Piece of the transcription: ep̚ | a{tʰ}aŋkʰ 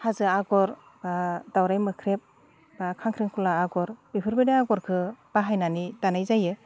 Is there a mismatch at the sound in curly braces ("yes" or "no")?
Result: yes